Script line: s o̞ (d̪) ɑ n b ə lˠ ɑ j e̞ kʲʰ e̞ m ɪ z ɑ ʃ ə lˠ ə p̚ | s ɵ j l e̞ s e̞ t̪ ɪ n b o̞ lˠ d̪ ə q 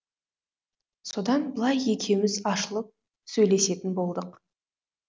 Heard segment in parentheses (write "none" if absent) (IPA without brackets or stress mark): d̪